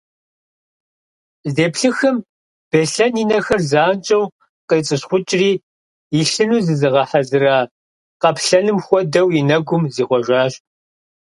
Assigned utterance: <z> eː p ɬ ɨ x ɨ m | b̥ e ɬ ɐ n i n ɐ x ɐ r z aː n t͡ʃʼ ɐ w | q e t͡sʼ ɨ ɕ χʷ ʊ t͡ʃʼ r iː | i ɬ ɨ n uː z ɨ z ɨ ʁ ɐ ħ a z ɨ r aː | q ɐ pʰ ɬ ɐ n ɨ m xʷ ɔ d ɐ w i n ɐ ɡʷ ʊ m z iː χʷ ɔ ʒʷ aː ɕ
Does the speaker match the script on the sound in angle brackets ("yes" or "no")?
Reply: yes